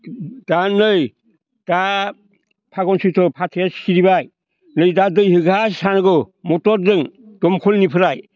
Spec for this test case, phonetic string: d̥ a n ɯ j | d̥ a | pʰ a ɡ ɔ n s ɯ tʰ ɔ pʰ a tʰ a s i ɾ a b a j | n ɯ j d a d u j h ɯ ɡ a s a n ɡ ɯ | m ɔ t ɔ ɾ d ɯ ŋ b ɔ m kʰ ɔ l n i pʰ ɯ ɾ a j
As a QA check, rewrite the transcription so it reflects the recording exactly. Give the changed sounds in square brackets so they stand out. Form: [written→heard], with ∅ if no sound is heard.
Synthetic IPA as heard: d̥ a n ɯ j | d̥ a | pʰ a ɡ ɔ n s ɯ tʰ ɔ pʰ a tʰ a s i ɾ [a→i] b a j | n ɯ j d a d [u→ɯ] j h ɯ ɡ a s a n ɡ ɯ | m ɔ t ɔ ɾ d ɯ ŋ [b→d] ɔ m kʰ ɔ l n i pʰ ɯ ɾ a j